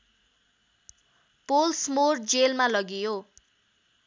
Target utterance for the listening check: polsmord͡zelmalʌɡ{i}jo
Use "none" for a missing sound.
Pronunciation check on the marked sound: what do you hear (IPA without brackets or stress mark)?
i